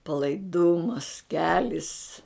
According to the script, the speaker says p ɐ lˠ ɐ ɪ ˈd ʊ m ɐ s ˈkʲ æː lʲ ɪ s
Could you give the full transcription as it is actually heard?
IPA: p ɐ lˠ ɐ ɪ ˈd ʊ m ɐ s ˈkʲ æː lʲ ɪ s